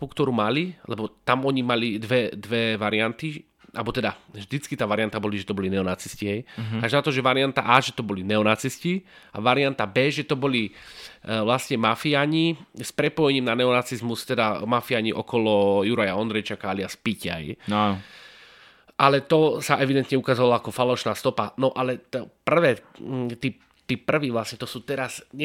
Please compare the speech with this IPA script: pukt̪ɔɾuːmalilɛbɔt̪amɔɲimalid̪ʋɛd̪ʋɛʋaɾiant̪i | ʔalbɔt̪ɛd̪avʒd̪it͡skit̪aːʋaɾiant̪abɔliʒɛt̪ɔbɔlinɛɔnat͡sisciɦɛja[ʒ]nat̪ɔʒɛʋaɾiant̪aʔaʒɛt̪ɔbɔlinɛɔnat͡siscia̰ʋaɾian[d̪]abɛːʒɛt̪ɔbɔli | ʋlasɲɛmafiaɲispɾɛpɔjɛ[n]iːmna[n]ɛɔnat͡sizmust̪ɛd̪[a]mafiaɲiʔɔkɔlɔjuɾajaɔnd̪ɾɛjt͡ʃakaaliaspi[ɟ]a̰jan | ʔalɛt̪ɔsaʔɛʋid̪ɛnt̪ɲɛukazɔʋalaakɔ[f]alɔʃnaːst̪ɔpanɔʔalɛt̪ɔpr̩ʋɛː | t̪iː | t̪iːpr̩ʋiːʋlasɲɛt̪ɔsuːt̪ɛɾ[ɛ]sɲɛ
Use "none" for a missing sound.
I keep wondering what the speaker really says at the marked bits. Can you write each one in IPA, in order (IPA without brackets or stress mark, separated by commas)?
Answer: ʒ, t̪, ɲ, n, a, c, f, a